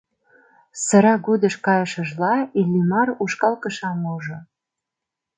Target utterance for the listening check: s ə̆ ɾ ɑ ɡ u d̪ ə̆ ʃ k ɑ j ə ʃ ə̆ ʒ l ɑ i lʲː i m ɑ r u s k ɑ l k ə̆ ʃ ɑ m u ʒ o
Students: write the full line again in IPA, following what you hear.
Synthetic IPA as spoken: s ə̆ ɾ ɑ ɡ u d̪ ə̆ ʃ k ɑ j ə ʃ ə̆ ʒ l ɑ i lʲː i m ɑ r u ʃ k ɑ l k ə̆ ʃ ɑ m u ʒ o